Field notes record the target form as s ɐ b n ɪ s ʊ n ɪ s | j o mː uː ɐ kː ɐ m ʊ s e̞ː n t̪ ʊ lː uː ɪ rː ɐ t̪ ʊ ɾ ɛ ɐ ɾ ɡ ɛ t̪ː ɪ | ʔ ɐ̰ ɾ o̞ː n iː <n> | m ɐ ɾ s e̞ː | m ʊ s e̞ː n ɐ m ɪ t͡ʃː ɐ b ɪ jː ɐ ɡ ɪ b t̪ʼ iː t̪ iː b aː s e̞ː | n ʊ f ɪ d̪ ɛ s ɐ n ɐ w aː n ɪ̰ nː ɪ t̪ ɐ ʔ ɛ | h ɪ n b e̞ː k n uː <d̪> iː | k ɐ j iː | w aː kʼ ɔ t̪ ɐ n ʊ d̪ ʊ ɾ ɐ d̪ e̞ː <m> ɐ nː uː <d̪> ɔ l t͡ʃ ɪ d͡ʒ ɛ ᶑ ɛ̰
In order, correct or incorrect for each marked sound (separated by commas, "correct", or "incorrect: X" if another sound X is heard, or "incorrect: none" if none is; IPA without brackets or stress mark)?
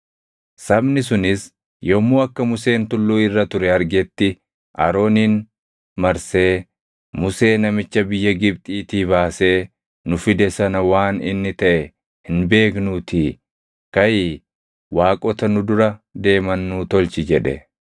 correct, incorrect: t̪, correct, incorrect: t̪